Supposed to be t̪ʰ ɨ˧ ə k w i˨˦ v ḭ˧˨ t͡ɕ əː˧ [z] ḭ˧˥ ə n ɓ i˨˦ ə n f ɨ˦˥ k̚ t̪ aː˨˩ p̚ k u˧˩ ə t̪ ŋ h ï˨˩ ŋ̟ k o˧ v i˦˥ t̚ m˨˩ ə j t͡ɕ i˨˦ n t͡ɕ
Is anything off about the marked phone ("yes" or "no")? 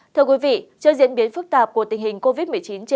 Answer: no